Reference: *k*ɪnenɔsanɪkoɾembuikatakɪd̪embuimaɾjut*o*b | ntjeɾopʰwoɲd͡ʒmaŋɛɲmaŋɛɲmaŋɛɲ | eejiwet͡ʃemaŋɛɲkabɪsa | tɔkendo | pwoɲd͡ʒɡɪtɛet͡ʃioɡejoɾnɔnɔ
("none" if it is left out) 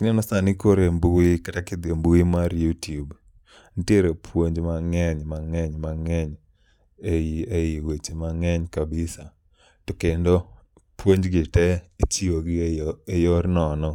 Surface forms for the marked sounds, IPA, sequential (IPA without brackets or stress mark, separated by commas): k, u